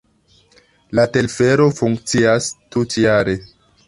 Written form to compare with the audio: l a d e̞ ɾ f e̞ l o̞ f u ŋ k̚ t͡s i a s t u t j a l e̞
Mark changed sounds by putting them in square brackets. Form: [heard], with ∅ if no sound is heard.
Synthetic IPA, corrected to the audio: l a [t] e̞ [l] f e̞ [ɾ] o̞ f u ŋ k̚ t͡s i a s t u t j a [ɾ] e̞